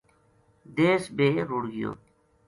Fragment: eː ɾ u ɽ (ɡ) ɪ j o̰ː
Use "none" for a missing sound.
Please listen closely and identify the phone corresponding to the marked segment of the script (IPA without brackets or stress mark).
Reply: ɡ